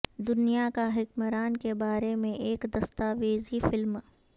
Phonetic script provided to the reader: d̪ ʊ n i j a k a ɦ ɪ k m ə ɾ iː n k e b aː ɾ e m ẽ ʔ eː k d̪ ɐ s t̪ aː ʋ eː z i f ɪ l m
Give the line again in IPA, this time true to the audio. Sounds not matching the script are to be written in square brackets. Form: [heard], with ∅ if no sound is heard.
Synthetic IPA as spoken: d̪ ʊ n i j a k a ɦ ɪ k m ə ɾ [aː] n k e b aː ɾ e m ẽ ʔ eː k d̪ ɐ s t̪ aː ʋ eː z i f ɪ l m